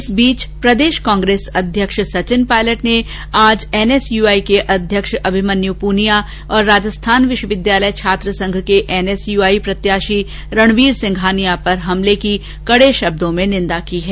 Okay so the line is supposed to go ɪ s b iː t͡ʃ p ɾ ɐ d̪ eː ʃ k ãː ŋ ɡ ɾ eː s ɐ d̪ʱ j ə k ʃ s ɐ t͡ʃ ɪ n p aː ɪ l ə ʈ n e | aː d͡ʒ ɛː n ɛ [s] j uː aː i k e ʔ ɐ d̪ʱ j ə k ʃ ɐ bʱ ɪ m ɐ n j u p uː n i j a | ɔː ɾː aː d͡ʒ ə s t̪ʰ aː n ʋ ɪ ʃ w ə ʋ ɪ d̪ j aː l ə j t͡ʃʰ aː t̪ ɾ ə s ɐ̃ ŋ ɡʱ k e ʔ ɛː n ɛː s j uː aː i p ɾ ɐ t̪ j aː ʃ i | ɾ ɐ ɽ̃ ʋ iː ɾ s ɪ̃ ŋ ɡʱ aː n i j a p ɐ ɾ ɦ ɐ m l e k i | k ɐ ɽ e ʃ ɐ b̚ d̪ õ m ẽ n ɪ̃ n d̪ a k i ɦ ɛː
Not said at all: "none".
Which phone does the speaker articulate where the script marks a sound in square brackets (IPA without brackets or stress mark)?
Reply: s